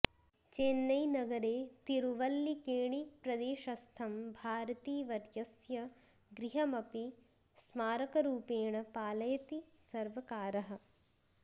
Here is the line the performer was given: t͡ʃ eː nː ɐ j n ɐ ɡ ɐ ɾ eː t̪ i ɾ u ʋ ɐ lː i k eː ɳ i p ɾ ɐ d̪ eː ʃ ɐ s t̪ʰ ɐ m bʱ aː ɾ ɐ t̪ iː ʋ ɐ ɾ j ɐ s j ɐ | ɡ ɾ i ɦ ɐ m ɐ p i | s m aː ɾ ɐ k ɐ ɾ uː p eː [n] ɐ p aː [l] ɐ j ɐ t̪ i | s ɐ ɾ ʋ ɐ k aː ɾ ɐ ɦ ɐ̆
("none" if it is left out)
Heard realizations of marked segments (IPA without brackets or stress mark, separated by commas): ɳ, l